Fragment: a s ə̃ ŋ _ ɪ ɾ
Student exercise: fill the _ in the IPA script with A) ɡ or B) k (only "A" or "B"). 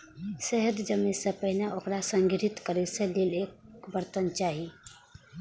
A